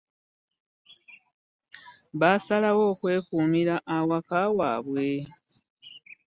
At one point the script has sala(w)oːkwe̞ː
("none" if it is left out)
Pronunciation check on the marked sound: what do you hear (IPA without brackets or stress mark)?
w